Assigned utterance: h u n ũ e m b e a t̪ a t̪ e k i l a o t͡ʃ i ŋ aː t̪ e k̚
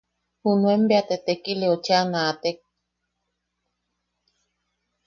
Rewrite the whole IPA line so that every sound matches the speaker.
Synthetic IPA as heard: h u n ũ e m b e a t̪ e t̪ e k i l e o t͡ʃ a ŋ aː t̪ e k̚